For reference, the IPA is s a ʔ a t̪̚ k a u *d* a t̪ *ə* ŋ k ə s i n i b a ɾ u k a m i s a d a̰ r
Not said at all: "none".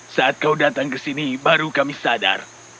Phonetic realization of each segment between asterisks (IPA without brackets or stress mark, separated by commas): d, a